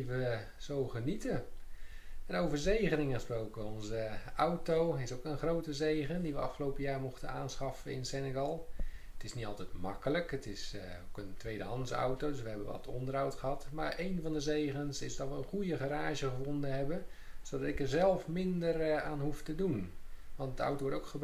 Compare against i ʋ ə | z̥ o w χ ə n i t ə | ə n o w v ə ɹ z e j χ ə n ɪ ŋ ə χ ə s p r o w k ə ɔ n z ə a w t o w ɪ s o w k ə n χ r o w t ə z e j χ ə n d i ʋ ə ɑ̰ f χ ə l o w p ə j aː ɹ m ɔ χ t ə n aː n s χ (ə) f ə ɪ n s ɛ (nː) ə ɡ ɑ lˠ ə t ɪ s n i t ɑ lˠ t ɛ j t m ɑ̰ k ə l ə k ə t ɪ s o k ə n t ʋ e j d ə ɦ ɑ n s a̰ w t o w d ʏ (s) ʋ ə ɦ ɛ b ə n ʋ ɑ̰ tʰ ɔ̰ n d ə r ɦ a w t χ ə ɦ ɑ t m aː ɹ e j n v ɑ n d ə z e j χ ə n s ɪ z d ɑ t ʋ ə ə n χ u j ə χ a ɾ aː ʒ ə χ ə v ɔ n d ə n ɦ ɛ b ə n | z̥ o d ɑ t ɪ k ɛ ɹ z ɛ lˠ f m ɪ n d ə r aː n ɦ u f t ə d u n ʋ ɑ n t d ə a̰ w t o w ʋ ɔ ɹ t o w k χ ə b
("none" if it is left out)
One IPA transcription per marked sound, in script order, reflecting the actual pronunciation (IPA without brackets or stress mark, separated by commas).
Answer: ɑ, n, s